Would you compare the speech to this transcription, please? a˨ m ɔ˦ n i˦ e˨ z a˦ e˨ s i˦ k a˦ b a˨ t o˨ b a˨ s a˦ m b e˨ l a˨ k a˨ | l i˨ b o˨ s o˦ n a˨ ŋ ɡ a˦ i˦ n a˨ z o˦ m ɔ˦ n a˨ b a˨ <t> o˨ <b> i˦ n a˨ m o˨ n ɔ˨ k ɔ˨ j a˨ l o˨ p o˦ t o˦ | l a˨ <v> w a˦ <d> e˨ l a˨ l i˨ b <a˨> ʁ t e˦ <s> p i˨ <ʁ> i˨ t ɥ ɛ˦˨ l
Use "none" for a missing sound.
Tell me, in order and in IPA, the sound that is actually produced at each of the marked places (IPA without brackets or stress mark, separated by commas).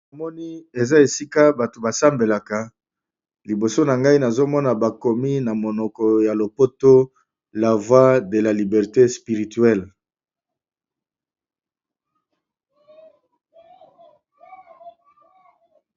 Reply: k, m, v, d, ɛ˨, s, ʁ